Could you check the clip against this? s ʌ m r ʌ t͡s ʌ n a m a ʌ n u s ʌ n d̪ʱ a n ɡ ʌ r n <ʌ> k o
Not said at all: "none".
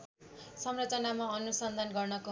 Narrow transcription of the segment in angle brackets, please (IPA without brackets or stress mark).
ʌ